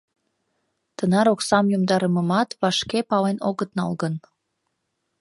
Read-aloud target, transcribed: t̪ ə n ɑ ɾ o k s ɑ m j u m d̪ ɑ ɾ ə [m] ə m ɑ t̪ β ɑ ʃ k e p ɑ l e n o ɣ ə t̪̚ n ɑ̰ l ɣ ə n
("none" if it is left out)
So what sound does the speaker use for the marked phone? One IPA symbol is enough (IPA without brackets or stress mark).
m